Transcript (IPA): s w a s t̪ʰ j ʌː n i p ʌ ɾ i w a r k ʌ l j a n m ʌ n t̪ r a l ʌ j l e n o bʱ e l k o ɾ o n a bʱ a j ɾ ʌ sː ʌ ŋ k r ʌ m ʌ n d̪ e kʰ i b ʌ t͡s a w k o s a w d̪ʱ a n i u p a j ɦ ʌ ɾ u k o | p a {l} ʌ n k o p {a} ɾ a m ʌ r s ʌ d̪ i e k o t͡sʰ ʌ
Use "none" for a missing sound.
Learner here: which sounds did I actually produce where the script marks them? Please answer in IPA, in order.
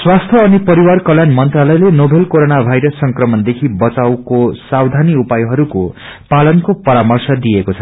l, ʌ

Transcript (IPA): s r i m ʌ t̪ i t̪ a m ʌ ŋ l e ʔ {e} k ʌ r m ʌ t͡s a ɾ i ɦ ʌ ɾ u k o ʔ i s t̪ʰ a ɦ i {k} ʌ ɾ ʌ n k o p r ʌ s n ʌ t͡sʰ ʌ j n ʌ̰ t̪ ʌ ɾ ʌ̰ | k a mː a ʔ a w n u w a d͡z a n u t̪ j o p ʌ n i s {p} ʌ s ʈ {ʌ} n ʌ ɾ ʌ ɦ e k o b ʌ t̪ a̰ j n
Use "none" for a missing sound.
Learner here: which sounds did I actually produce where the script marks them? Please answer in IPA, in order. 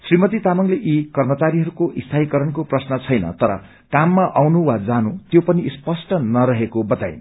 i, k, p, ʌ

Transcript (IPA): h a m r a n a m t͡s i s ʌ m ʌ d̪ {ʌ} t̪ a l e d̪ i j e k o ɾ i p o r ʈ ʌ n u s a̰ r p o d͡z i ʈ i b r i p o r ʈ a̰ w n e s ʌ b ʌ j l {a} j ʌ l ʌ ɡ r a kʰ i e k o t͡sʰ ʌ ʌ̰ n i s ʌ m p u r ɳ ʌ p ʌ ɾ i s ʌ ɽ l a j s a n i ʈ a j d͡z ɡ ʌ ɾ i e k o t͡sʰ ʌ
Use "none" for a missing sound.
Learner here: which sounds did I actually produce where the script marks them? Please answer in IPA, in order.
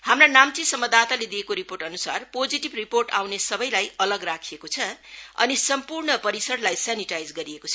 a, a

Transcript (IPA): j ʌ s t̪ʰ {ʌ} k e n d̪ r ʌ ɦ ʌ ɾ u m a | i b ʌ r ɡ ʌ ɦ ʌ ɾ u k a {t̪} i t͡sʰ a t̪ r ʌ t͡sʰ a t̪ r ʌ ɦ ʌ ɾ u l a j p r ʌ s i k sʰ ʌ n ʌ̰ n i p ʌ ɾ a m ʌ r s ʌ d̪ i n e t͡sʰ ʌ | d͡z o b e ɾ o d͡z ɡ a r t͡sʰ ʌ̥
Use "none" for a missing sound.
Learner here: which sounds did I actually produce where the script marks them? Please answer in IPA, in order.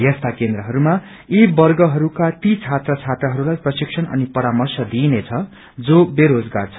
a, t̪

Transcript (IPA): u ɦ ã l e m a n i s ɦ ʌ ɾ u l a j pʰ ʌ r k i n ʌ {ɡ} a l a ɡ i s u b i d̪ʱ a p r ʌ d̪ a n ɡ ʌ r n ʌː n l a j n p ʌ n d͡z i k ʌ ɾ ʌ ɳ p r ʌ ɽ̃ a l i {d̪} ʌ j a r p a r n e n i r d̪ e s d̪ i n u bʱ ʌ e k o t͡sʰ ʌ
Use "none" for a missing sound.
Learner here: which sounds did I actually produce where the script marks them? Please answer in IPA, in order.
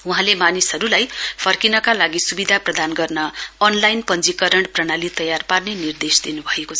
k, t̪

